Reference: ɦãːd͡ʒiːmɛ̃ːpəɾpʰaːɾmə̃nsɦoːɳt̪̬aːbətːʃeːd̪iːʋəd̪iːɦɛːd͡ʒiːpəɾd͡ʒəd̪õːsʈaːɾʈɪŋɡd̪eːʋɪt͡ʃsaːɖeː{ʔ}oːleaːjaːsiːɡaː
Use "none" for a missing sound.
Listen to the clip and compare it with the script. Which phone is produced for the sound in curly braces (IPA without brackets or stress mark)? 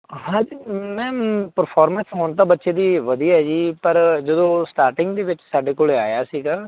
k